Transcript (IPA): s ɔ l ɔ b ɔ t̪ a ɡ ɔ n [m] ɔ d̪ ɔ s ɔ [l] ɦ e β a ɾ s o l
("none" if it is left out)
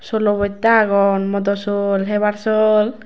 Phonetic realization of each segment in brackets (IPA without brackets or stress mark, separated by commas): m, l